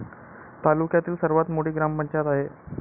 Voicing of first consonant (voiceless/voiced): voiceless